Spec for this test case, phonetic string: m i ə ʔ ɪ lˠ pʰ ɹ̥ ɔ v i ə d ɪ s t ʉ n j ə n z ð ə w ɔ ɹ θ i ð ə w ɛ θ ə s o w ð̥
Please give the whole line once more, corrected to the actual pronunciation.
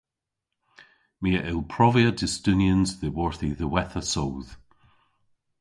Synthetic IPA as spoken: m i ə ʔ ɪ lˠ pʰ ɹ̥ ɔ v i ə d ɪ s t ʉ n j ə n z ð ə w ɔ ɹ θ i ð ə w ɛ θ ə s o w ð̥